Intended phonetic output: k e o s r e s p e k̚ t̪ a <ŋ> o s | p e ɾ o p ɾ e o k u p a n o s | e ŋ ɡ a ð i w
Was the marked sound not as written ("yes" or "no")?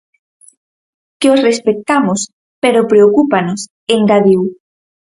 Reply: yes